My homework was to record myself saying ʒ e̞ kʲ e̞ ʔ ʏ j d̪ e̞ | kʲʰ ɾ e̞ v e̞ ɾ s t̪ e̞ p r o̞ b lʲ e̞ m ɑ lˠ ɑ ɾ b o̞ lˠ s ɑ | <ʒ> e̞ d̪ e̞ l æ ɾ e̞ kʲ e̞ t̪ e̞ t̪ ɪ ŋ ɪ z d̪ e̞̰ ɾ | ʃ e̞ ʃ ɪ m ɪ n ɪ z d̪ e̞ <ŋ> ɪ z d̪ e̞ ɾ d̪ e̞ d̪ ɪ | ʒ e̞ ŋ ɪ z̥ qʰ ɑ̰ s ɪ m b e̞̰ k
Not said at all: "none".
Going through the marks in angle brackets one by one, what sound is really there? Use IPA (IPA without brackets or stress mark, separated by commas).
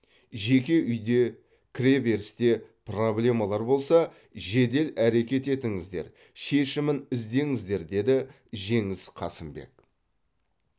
ʒ, ŋ